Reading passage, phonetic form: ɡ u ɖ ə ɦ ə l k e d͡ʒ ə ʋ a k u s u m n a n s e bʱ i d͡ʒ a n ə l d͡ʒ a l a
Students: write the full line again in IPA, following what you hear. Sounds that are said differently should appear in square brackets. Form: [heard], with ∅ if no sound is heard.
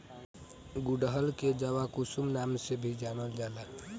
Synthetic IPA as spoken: ɡ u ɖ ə ɦ ə l k e d͡ʒ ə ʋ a k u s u m n a [m] s e bʱ i d͡ʒ a n ə l d͡ʒ a l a